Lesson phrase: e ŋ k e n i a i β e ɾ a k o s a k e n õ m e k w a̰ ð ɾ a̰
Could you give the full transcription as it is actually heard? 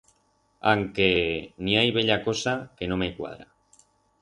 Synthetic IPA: a ŋ k e n i a j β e ʎ a k o s a k e n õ m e k w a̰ ð ɾ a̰